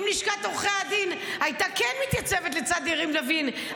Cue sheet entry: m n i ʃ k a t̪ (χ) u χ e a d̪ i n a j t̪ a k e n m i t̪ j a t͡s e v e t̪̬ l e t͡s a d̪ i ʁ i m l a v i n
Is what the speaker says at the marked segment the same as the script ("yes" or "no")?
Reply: no